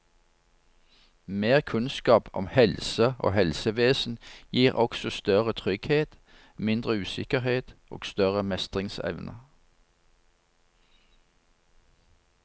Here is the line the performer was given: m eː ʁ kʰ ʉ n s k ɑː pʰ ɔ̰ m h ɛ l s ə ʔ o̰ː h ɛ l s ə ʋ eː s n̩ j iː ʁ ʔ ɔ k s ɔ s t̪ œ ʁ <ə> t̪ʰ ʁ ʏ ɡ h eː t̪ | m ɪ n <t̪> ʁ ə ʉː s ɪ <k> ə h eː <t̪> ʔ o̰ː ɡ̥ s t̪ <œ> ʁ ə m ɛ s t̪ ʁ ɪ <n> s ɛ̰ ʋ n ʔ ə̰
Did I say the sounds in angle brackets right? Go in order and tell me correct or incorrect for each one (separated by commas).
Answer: correct, incorrect, correct, correct, correct, incorrect